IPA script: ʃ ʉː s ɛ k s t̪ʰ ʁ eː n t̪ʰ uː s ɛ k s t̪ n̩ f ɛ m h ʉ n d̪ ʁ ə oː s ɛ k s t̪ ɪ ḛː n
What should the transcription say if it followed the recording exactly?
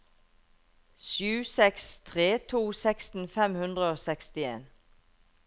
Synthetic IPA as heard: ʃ ʉː s ɛ k s t̪ʰ ʁ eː t̪ʰ uː s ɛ k s t̪ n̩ f ɛ m h ʉ n d̪ ʁ ə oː s ɛ k s t̪ ɪ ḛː n